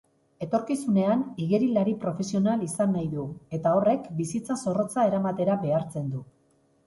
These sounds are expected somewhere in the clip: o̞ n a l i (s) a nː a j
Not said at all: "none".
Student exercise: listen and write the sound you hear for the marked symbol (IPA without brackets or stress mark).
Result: s